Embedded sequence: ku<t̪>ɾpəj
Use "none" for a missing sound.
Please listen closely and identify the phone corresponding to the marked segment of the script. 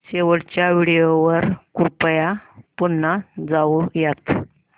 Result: none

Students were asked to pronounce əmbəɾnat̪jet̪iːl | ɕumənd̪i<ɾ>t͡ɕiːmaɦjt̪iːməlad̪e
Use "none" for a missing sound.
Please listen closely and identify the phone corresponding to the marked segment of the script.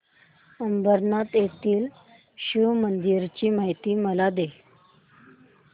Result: ɾ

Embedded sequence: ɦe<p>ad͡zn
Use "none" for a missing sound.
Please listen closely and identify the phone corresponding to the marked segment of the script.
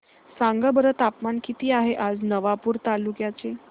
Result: ʔ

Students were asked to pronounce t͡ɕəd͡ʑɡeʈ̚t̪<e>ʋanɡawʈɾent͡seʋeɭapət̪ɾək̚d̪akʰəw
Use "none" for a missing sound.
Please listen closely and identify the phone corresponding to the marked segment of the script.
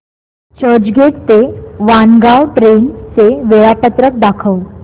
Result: e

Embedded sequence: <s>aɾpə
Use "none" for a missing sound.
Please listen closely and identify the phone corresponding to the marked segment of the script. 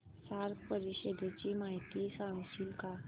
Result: s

